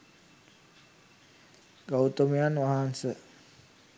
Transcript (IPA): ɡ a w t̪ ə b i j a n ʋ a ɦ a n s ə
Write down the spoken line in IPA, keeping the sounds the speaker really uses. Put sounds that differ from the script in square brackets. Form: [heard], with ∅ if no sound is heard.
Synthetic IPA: ɡ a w t̪ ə [m] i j a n ʋ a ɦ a n s ə